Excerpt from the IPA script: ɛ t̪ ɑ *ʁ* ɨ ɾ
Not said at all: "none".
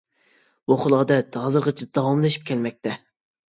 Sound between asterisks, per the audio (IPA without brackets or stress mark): z